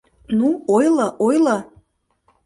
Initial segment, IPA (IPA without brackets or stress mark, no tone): n